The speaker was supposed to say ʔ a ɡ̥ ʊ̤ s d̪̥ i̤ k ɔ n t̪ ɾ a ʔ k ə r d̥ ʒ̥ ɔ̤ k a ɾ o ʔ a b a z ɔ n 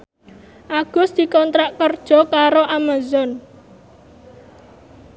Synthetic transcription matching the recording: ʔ a ɡ̥ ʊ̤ s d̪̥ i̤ k ɔ n t̪ ɾ a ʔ k ə r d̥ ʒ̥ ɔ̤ k a ɾ o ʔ a m a z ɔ n